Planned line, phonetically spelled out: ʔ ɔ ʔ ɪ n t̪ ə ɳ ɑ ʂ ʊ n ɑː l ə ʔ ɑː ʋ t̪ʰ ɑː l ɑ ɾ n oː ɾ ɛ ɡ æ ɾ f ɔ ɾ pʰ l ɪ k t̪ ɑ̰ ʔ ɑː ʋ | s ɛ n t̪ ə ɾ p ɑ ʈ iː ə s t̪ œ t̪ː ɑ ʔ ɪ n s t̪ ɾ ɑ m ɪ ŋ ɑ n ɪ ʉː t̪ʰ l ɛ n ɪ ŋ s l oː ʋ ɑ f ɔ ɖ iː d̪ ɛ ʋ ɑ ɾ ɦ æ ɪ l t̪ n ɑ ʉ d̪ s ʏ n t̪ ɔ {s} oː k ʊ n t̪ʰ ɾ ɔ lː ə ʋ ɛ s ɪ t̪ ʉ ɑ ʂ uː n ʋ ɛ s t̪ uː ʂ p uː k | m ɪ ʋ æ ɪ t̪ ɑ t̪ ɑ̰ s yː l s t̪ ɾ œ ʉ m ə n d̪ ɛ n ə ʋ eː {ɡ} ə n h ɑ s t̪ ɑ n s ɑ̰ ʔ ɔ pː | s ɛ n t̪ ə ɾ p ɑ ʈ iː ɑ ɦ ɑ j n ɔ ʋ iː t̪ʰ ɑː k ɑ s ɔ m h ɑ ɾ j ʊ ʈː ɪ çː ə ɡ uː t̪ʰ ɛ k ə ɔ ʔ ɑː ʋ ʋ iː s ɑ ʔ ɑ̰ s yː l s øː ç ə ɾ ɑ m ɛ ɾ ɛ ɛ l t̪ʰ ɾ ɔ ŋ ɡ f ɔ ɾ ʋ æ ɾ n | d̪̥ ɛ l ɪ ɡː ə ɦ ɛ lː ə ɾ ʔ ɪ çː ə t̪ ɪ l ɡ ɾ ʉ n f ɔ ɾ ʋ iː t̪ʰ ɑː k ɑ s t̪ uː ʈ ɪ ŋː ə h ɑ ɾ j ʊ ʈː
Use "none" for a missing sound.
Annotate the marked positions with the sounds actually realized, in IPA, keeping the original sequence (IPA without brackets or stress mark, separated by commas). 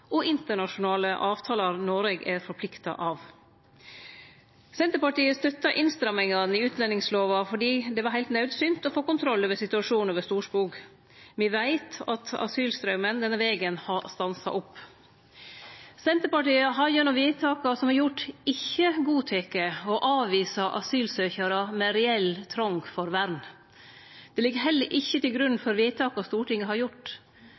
f, ɡ